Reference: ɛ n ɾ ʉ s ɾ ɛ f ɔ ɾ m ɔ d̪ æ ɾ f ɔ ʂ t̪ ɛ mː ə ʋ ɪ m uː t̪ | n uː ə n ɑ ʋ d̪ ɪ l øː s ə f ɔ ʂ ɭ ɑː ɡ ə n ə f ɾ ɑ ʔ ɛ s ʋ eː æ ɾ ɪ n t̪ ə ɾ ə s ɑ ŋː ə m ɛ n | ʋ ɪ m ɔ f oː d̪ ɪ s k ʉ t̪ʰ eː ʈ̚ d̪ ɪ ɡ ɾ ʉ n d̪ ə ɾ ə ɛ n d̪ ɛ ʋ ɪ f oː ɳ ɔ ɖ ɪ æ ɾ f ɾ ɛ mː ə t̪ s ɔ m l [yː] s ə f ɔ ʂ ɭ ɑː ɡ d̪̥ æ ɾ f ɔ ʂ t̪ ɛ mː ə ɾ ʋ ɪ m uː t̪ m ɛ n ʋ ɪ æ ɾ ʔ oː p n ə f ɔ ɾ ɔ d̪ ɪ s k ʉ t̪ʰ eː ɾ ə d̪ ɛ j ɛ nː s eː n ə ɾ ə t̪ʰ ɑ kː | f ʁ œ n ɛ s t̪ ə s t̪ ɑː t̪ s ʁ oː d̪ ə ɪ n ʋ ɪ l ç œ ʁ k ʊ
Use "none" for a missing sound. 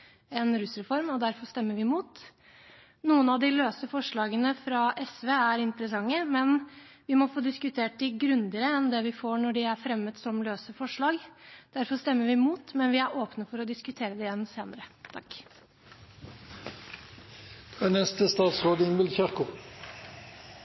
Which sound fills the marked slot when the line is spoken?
øː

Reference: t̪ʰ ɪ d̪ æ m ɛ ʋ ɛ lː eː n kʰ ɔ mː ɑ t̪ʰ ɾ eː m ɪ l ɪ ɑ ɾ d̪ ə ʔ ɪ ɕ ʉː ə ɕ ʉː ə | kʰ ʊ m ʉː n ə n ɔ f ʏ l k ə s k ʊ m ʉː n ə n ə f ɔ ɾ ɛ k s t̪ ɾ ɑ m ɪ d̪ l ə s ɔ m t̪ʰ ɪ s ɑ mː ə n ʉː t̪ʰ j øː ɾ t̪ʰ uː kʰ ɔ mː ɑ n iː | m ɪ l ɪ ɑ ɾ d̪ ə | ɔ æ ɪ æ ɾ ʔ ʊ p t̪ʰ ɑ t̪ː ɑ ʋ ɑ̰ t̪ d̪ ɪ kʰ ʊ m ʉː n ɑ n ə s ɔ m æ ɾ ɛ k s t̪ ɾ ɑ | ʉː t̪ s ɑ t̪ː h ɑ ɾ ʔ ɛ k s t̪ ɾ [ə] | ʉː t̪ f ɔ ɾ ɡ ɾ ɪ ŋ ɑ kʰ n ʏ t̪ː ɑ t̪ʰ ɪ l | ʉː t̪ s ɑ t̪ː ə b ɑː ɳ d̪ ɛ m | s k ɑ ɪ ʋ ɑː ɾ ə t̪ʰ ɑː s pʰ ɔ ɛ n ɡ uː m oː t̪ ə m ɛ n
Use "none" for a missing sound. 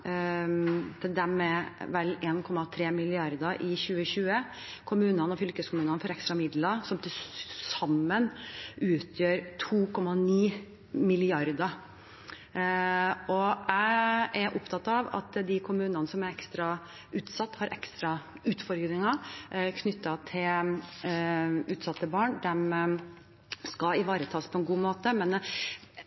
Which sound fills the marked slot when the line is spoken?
ɑ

